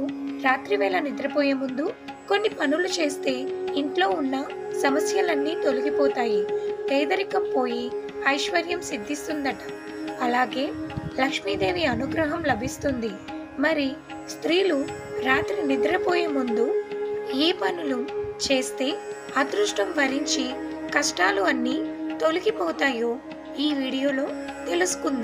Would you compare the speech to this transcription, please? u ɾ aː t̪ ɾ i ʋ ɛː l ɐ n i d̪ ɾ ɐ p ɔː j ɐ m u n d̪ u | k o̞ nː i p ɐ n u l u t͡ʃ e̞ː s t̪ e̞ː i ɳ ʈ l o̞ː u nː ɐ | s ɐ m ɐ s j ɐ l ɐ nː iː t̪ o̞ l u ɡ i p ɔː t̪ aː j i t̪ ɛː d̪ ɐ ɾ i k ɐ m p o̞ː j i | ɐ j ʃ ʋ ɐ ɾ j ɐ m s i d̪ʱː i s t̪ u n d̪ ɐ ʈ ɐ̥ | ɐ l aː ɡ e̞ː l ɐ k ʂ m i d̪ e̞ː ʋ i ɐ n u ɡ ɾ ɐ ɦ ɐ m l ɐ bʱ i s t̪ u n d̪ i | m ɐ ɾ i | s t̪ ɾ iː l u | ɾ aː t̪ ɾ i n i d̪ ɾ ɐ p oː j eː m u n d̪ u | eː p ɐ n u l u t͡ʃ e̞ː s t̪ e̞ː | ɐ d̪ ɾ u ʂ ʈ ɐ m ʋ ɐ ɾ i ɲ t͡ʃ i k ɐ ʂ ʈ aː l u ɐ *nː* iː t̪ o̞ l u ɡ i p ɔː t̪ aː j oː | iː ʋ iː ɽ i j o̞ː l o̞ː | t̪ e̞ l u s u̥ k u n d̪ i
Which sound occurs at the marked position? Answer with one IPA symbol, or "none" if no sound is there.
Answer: nː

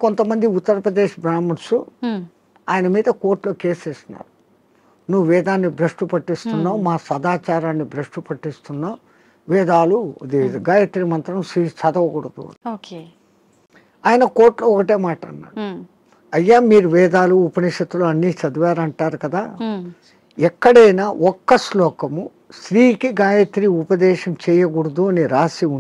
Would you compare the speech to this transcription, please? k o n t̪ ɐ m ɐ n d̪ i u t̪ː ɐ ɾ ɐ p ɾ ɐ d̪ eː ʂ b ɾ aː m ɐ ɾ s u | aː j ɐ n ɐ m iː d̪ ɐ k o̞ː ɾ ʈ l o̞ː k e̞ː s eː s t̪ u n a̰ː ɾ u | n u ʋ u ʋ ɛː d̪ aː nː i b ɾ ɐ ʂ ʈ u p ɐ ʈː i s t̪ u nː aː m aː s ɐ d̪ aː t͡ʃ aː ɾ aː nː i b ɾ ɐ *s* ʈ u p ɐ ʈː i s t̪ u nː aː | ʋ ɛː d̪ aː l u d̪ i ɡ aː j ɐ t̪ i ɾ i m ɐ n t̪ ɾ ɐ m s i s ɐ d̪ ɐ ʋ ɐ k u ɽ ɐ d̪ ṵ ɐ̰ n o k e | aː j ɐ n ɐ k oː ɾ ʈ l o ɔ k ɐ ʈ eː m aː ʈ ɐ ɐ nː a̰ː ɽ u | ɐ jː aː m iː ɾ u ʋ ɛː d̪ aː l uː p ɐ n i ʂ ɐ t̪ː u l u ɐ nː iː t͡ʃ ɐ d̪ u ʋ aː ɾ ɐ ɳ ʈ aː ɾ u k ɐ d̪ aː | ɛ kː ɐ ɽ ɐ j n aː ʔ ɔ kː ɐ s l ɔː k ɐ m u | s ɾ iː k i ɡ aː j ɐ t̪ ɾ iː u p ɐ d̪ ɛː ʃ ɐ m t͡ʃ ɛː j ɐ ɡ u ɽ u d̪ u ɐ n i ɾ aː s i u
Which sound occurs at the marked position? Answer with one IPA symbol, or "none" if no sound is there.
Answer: ʂ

